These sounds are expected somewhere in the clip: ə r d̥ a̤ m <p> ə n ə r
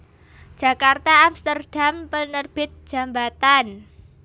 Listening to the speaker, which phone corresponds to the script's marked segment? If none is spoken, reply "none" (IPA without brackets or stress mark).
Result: p